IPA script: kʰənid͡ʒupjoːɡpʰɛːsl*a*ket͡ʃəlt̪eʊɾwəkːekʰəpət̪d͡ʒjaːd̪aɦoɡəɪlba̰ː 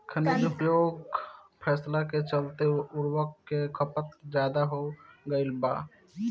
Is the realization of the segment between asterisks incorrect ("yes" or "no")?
no